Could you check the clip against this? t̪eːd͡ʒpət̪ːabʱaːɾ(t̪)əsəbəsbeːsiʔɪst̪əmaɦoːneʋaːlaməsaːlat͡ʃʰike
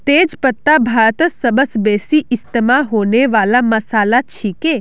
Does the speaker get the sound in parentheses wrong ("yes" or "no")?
no